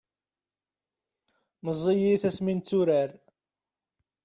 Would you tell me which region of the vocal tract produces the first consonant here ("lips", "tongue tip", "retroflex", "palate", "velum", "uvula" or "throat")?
lips